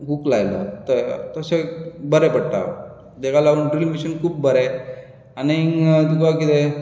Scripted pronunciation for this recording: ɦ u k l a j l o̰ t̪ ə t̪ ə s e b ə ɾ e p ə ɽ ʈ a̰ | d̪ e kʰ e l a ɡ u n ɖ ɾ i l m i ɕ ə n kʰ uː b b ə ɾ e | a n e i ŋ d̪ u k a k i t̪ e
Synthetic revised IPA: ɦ u k l a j l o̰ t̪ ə t̪ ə s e b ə ɾ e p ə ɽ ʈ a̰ | d̪ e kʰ a l a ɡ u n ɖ ɾ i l m i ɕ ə n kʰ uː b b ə ɾ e | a n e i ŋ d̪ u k a k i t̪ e